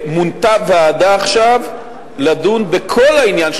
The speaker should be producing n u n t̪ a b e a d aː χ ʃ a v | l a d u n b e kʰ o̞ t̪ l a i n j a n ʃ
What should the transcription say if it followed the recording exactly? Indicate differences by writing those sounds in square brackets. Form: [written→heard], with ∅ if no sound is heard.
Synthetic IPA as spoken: [n→m] u n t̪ a [b→v] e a d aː χ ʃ a v | l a d u n b e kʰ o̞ [t̪→∅] l a i n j a n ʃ

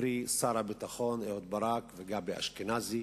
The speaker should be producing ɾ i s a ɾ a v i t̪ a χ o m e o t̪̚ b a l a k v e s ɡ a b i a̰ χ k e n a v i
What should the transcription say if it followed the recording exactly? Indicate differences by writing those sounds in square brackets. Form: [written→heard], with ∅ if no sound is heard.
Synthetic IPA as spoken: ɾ i s a ɾ a [v→b] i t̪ a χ o [m→n] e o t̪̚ b a [l→ɾ] a k v e [s→∅] ɡ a b [i→e] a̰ [χ→ʃ] k e n a [v→z] i

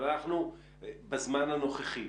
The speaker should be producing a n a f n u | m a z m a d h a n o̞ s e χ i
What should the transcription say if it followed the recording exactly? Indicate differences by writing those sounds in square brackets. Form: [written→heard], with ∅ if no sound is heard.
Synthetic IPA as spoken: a n a [f→χ] n u | [m→b] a z m a [d→n] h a n o̞ [s→χ] e χ i

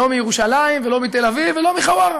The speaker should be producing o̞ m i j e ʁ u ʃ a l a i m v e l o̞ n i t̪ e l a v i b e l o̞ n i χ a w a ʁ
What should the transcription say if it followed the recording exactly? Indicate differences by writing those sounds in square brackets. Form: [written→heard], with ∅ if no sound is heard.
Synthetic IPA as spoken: o̞ m i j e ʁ u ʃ a l a i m v e l o̞ [n→m] i t̪ e l a v i [b→v] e l o̞ [n→m] i χ a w a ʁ

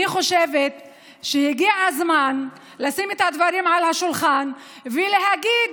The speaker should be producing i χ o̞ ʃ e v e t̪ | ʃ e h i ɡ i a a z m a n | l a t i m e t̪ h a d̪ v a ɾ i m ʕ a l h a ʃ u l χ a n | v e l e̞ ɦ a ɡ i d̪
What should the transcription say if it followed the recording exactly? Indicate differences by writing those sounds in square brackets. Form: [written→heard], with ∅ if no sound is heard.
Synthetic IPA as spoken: i χ o̞ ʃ e v e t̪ | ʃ e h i ɡ i a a z m a n | l a [t→s] i m e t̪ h a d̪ v a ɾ i m ʕ a l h a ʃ u l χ a n | v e l e̞ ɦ a ɡ i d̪

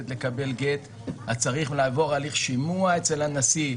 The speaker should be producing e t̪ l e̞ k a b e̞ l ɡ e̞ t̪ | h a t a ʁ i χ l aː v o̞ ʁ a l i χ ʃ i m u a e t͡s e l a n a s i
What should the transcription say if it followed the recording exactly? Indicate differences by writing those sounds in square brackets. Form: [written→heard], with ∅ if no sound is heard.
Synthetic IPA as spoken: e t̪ l e̞ k a b e̞ l ɡ e̞ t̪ | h a [t→t͡s] a ʁ i χ l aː v o̞ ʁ a l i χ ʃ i m u a e t͡s e l a n a s i

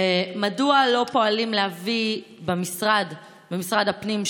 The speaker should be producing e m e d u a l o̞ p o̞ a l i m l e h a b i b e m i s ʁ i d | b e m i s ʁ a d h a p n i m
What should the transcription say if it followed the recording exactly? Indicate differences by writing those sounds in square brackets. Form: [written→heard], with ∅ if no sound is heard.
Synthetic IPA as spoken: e m [e→a] d u a l o̞ p o̞ a l i m l e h a [b→v] i b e m i s ʁ [i→a] d | b e m i s ʁ a d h a p n i m

